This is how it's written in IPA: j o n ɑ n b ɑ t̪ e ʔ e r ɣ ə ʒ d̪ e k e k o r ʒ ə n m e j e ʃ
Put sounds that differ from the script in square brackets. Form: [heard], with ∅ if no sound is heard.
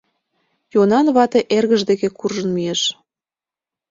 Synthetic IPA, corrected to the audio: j o n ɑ n [β] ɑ t̪ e ʔ e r ɣ ə ʒ d̪ e k e k [u] r ʒ ə n m [i] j e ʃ